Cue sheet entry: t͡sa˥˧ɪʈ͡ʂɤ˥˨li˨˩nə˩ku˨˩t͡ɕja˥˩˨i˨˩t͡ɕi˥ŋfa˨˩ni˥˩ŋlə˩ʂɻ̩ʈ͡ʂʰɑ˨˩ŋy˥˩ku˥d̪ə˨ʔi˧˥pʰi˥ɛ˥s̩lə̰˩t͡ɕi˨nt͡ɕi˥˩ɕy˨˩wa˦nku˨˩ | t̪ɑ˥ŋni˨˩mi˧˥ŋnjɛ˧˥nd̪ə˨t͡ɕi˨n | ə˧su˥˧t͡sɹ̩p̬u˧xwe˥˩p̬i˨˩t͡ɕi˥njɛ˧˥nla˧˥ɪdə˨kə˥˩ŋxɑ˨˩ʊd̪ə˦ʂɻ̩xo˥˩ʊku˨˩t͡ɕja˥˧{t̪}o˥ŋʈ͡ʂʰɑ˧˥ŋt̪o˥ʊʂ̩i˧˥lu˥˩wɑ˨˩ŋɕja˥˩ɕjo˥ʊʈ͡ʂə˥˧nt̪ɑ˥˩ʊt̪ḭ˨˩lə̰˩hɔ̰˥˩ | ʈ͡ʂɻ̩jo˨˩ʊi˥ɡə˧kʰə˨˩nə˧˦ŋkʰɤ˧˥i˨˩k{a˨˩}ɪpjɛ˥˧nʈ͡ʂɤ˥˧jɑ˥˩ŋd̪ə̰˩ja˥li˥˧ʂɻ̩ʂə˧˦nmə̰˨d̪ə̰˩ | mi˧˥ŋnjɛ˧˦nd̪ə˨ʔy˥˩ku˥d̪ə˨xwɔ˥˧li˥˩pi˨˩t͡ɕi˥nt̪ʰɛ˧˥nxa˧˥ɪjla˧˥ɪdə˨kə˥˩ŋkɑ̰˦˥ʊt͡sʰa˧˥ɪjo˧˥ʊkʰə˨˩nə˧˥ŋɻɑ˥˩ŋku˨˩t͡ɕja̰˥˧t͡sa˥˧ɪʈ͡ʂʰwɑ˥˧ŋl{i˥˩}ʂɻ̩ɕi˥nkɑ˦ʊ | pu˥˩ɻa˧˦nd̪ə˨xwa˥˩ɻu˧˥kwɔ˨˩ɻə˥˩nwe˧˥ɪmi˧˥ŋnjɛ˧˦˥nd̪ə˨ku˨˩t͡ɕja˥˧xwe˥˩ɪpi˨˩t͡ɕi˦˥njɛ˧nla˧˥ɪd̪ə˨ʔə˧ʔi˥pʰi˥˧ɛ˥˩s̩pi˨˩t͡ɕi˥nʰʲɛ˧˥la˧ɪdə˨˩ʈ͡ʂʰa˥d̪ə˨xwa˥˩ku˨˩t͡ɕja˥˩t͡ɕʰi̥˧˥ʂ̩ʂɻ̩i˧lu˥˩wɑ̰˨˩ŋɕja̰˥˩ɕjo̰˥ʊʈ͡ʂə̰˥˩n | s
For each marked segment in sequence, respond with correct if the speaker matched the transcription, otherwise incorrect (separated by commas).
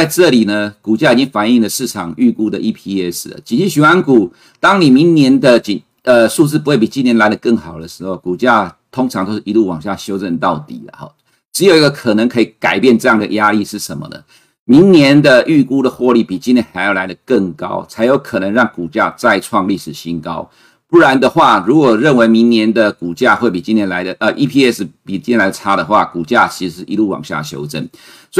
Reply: incorrect, correct, correct